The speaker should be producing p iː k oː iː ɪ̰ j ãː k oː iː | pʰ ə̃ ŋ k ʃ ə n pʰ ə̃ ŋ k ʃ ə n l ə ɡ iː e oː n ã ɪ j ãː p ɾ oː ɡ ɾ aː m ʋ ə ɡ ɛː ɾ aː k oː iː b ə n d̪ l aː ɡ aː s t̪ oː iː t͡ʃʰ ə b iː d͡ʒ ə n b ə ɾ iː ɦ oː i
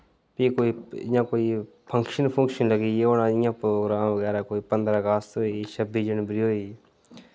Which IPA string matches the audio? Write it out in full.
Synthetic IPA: p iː k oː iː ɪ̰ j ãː k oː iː | pʰ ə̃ ŋ k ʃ ə n pʰ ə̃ ŋ k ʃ ə n l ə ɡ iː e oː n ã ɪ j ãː p ɾ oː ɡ ɾ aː m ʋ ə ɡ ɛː ɾ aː k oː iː p ə n d̪ ɾ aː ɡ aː s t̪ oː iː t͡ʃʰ ə b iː d͡ʒ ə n b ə ɾ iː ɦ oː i